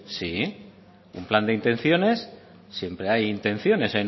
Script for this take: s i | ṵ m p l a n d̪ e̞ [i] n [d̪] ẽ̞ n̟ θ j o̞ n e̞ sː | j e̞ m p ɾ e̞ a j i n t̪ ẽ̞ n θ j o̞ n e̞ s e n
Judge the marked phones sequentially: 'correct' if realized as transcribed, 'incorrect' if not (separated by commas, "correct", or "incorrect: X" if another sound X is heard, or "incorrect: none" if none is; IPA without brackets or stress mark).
correct, incorrect: t̪